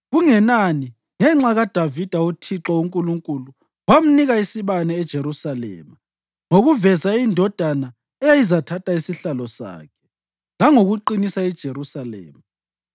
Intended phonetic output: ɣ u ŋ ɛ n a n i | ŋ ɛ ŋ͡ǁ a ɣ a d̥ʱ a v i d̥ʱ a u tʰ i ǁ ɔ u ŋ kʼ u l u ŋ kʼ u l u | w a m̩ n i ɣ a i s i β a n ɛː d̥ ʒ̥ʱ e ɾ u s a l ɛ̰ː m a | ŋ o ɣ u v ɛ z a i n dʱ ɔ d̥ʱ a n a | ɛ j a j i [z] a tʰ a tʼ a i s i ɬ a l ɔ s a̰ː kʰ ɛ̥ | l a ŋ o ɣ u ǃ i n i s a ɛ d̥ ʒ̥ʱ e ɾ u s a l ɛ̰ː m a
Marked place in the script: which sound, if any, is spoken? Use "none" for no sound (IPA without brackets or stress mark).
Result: z